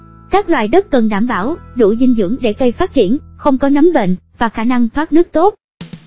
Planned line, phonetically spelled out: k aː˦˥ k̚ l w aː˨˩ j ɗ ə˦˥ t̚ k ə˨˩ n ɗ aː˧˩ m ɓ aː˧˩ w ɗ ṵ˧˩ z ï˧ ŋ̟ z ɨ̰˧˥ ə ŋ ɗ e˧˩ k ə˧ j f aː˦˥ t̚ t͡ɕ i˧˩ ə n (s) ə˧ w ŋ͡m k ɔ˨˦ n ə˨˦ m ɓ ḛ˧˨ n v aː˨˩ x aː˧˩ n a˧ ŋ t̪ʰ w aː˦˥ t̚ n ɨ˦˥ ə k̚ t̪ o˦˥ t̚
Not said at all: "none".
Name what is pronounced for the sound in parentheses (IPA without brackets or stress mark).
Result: x